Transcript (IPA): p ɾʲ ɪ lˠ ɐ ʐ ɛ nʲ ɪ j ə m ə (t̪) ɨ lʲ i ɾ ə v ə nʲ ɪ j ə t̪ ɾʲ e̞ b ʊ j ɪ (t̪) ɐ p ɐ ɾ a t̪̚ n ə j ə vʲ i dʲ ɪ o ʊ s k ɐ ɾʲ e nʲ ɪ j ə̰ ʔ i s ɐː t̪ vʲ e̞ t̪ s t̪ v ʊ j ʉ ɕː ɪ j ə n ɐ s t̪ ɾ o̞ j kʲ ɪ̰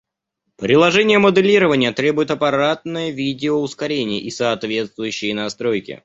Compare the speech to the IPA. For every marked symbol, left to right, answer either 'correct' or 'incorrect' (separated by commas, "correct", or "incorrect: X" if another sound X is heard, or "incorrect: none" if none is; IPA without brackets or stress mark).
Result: incorrect: d̪, correct